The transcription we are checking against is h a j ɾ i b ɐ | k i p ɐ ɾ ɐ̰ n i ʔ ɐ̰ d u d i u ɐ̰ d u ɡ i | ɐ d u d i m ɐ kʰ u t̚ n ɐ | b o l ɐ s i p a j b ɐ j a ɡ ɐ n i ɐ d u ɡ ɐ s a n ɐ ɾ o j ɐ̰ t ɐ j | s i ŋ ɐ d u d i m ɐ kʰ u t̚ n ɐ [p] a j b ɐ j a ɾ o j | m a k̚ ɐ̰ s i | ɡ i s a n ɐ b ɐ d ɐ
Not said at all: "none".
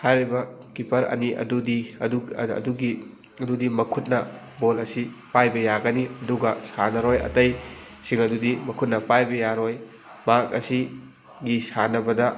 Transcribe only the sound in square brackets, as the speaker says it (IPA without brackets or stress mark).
p